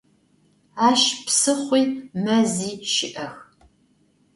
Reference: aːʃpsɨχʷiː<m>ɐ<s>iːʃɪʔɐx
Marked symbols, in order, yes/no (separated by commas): yes, no